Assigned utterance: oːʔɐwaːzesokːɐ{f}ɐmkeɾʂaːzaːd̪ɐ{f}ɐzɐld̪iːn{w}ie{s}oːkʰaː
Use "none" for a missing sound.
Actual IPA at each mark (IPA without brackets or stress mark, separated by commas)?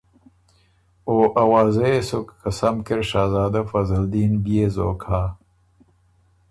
s, f, b, z